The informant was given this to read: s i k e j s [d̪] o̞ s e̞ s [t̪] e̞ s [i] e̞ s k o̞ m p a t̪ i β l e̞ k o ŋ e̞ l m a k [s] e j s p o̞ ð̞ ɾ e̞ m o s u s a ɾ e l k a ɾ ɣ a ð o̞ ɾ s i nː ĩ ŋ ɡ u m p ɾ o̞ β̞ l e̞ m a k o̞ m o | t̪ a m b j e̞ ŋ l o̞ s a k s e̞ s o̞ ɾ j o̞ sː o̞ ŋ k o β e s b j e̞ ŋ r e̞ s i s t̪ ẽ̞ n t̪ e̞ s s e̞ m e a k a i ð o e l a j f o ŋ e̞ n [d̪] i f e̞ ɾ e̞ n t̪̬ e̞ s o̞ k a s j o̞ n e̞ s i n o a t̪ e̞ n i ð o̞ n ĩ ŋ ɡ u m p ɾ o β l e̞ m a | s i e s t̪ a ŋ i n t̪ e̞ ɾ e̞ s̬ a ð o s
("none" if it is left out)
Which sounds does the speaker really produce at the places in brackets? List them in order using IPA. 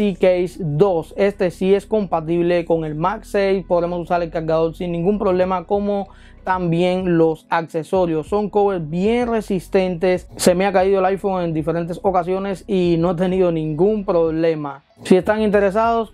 d̪, t̪, i, s, d̪

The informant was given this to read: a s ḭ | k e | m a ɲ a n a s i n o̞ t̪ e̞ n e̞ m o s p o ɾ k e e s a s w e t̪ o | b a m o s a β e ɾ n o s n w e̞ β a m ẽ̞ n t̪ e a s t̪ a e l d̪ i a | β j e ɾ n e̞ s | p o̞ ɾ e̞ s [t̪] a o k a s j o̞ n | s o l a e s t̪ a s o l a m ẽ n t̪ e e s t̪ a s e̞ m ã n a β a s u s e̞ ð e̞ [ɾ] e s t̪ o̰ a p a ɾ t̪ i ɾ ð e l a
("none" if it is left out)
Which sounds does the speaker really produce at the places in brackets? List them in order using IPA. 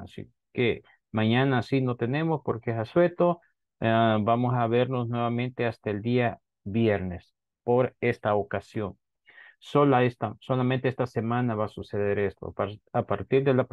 t̪, ɾ

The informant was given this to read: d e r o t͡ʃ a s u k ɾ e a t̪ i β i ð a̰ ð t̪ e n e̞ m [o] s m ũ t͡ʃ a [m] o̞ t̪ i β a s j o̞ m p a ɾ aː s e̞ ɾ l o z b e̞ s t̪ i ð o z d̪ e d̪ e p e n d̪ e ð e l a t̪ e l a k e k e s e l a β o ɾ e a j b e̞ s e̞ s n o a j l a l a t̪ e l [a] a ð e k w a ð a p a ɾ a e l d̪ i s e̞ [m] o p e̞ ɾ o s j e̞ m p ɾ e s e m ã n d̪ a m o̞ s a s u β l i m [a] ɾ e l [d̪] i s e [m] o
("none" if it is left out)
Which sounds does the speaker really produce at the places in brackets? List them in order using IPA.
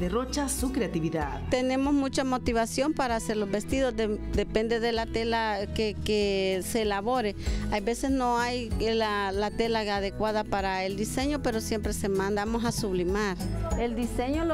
o, m, a, ɲ, a, d̪, ɲ

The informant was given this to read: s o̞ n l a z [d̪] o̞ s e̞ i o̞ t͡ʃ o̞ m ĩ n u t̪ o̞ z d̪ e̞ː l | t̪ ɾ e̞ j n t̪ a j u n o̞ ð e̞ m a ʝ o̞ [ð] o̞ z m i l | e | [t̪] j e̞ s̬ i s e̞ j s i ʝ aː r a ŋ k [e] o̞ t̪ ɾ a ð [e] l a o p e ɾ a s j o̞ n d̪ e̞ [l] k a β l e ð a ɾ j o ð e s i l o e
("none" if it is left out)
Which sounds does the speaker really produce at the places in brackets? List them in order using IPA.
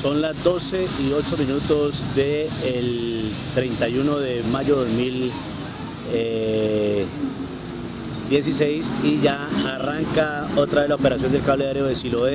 d̪, ð, d̪, a, e, l

